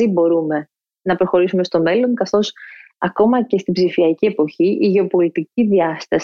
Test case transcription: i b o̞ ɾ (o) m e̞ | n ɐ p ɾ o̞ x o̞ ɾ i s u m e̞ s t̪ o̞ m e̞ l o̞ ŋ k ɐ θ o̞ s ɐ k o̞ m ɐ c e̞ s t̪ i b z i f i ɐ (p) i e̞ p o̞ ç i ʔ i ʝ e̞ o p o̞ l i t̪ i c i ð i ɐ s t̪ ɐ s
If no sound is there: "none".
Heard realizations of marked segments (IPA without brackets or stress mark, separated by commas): u, c